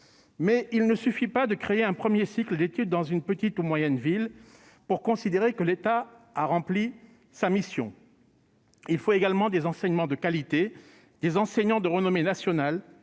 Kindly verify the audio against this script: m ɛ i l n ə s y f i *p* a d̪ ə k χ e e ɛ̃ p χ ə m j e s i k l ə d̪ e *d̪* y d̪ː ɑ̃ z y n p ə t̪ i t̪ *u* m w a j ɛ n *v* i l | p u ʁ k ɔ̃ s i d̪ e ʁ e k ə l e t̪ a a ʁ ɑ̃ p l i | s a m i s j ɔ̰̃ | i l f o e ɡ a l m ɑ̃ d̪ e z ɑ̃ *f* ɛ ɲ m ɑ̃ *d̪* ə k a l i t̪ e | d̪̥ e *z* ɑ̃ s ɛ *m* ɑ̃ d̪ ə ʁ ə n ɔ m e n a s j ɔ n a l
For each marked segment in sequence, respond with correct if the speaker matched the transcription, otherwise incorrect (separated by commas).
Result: correct, incorrect, correct, correct, incorrect, correct, correct, incorrect